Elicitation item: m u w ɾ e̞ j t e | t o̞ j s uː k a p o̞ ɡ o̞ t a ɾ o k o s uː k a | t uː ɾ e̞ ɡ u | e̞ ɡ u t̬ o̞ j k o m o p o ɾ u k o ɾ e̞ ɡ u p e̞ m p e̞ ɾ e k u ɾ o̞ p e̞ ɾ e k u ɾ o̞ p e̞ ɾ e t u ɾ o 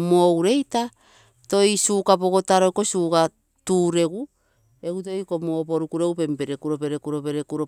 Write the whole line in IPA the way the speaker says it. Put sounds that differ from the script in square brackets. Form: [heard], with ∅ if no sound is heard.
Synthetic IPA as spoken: m [o] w ɾ e̞ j t [a] | t o̞ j s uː k a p o̞ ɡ o̞ t a ɾ o k o s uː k a | t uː ɾ e̞ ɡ u | e̞ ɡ u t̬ o̞ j k o m o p o ɾ u k [u] ɾ e̞ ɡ u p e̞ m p e̞ ɾ e k u ɾ o̞ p e̞ ɾ e k u ɾ o̞ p e̞ ɾ e [k] u ɾ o